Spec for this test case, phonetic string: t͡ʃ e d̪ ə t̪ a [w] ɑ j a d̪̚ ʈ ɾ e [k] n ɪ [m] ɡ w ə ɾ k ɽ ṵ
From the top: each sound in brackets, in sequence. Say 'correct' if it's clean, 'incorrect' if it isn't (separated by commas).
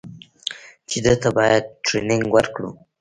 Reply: incorrect, incorrect, incorrect